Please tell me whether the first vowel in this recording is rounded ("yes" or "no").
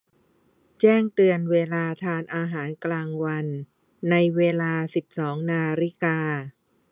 no